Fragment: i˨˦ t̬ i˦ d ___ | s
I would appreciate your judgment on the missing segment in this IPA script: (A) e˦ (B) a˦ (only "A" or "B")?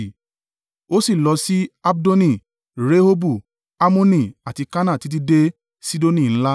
A